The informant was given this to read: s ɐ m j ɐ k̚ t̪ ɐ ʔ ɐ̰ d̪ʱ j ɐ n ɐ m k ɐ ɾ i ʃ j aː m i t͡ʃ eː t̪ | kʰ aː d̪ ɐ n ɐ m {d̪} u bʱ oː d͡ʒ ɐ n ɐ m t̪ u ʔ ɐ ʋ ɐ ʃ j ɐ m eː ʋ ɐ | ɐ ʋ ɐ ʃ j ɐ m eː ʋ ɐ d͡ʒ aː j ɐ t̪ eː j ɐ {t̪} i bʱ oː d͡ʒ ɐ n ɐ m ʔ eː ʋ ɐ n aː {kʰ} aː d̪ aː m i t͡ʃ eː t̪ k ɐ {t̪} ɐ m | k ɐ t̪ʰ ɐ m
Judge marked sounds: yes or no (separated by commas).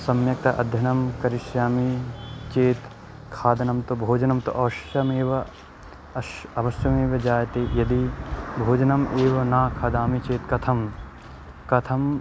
no, no, yes, no